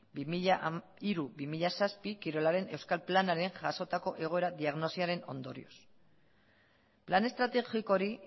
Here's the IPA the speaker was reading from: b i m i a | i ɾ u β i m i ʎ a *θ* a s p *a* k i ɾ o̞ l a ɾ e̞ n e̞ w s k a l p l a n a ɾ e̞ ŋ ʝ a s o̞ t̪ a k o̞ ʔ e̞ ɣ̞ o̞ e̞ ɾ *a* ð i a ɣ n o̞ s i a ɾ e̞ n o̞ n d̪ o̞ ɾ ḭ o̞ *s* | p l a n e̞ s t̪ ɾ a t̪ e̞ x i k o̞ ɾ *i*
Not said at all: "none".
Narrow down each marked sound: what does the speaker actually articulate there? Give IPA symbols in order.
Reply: s, i, a, s, i

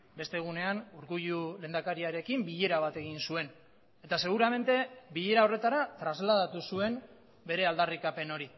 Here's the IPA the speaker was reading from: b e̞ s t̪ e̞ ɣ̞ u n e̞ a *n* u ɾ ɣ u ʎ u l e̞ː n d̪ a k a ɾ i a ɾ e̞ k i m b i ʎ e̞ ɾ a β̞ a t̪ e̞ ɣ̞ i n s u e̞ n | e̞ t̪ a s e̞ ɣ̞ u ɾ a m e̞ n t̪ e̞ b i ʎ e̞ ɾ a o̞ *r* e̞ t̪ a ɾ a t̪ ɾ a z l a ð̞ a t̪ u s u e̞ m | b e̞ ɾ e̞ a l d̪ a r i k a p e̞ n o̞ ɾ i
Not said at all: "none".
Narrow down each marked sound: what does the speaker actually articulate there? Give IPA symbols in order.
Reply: n, r

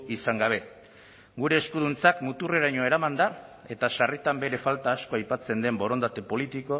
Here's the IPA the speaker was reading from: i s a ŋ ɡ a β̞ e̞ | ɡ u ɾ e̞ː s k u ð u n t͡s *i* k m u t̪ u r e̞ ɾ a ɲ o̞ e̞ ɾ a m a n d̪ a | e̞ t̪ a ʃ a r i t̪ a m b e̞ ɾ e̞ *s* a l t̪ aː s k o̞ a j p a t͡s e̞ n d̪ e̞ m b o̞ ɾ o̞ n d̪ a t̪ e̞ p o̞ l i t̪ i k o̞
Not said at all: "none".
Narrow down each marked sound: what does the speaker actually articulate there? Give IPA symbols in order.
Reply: a, f

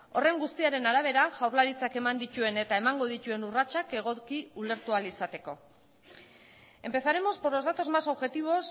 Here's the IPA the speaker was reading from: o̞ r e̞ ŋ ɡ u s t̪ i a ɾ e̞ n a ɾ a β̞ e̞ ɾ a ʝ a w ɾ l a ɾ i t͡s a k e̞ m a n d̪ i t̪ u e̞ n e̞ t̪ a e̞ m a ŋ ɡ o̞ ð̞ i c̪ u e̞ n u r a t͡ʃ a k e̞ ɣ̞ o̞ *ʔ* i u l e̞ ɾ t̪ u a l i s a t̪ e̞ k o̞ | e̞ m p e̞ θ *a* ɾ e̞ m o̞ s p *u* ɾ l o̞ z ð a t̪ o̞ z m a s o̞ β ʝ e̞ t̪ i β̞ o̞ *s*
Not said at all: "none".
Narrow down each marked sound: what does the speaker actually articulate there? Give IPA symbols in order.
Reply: k, a, o, s

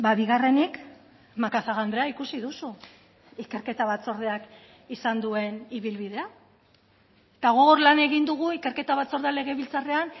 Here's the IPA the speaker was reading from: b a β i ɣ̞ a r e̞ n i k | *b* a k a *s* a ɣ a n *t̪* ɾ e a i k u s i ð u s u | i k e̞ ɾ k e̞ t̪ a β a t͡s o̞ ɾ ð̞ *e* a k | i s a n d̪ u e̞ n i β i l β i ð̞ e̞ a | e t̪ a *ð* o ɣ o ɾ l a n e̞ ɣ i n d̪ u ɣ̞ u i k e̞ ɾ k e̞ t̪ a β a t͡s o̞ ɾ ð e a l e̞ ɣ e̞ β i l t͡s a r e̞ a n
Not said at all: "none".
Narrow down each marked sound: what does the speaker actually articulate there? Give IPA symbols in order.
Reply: m, θ, d̪, e, ɣ

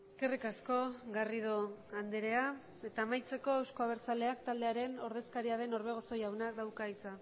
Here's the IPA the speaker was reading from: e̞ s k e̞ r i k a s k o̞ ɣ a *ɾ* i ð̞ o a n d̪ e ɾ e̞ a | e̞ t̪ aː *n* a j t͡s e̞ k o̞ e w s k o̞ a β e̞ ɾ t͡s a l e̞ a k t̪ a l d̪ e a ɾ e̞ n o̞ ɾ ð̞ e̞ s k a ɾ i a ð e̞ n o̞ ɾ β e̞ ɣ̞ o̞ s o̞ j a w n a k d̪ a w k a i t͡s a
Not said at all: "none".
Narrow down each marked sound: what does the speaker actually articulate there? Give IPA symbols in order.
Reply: r, m

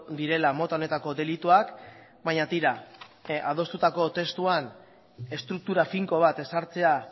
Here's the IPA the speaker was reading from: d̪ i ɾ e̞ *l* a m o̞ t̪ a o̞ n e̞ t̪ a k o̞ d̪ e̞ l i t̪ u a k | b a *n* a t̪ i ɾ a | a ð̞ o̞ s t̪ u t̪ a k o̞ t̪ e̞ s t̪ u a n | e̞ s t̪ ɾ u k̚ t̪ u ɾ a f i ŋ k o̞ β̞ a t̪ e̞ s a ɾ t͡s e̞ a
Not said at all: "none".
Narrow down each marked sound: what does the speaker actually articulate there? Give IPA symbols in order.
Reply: l, ɲ

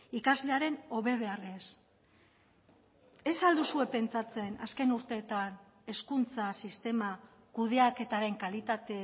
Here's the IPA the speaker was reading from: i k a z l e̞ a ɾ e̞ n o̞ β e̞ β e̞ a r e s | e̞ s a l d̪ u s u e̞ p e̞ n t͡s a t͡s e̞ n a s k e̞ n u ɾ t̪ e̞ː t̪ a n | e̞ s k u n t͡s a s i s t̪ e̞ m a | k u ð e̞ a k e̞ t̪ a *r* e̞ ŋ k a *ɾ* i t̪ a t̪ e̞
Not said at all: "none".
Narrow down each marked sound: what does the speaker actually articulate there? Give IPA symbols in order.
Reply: ɾ, l

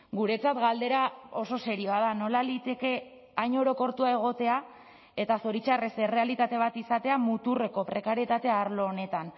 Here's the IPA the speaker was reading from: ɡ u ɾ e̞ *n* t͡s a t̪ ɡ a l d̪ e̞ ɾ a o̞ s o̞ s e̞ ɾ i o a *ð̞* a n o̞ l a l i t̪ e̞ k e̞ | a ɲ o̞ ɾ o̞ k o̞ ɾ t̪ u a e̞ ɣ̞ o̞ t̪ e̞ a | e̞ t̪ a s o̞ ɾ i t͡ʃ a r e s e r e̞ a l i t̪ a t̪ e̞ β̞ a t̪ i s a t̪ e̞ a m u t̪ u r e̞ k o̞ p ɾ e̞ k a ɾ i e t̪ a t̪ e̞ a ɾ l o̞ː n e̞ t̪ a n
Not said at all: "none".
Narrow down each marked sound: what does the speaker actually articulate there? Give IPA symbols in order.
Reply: none, ð̞

